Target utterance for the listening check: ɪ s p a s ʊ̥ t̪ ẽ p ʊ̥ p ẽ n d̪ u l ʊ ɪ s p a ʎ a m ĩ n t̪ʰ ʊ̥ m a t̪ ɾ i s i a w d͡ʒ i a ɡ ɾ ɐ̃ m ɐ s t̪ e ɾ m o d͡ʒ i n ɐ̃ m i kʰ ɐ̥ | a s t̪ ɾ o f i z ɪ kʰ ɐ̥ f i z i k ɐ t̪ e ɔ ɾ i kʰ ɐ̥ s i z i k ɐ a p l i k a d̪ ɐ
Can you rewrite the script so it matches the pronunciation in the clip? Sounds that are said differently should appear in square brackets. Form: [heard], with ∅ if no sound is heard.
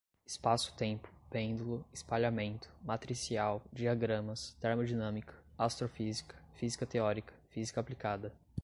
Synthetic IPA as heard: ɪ s p a s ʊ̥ t̪ ẽ p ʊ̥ p ẽ n d̪ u l ʊ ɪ s p a ʎ a m [ẽ] n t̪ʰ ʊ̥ m a t̪ ɾ i s i a w d͡ʒ i a ɡ ɾ ɐ̃ m ɐ s t̪ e ɾ m o d͡ʒ i n ɐ̃ m i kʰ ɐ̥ | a s t̪ ɾ o f i z [i] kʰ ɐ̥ f i z i k ɐ t̪ e ɔ ɾ i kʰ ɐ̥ [f] i z i k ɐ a p l i k a d̪ ɐ